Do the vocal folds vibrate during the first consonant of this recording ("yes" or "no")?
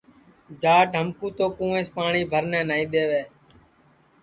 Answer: yes